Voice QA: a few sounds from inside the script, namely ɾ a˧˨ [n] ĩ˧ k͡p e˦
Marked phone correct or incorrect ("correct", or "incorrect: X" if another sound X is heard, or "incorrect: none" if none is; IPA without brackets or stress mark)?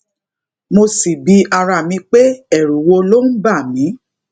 incorrect: m